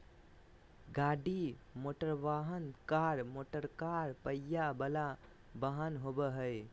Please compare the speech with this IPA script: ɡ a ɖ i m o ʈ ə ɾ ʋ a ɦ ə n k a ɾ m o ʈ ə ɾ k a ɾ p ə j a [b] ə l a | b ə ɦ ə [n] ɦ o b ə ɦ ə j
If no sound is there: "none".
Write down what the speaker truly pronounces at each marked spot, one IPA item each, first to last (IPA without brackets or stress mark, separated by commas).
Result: b, n